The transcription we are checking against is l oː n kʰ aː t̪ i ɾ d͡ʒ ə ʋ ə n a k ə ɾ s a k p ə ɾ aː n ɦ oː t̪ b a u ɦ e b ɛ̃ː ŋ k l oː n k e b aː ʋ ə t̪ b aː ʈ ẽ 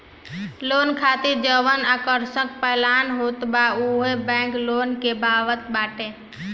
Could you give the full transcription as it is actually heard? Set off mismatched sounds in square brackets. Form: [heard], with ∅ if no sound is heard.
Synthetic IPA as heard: l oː n kʰ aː t̪ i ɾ d͡ʒ ə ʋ ə n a k ə ɾ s [ə] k p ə [l] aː n ɦ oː t̪ b a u ɦ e b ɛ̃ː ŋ k l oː n k e b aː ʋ ə t̪ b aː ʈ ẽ